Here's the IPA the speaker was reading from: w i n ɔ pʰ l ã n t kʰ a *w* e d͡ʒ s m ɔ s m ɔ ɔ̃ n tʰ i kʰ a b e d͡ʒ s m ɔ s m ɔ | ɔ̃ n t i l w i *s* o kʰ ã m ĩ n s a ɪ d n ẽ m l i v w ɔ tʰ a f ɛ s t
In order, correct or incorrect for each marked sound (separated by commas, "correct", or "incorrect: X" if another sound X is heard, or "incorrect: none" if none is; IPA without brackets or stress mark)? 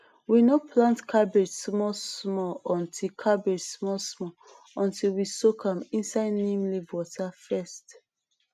incorrect: b, correct